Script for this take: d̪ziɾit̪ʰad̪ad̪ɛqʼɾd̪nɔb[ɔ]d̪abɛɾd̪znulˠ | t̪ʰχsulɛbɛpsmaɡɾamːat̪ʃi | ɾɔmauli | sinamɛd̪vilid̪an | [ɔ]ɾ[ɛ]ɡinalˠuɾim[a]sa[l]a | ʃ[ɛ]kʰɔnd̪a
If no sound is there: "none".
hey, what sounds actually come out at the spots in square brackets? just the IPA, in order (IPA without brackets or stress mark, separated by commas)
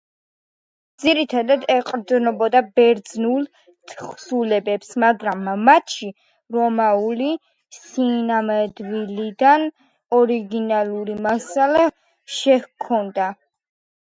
ɔ, ɔ, i, a, l, ɛ